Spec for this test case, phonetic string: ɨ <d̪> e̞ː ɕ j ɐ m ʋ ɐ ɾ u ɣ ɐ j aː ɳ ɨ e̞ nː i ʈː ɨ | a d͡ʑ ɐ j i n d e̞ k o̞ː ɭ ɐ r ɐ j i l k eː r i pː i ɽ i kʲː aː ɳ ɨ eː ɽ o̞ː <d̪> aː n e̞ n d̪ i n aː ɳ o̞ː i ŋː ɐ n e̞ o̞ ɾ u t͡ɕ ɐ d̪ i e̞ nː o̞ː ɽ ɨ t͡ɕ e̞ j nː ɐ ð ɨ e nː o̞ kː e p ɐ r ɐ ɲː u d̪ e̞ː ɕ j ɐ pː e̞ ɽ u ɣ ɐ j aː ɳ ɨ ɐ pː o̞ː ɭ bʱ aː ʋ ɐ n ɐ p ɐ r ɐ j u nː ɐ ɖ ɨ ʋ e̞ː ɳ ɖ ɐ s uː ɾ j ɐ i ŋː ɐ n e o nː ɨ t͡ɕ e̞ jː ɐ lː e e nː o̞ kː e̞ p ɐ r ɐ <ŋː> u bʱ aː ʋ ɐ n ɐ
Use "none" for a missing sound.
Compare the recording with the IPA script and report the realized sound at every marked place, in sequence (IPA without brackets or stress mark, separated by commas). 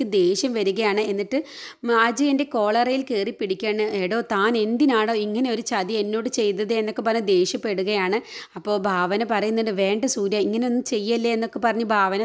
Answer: d̪, t̪, ɲː